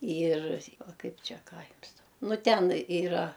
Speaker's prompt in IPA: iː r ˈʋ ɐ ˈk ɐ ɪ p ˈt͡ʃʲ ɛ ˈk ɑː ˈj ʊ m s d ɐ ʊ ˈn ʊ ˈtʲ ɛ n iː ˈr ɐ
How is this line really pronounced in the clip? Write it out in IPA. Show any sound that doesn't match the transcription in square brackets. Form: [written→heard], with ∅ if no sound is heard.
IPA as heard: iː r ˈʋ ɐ ˈk ɐ ɪ p ˈt͡ʃʲ ɛ ˈk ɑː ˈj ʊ m s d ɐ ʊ ˈn ʊ ˈtʲ ɛ n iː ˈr ɐ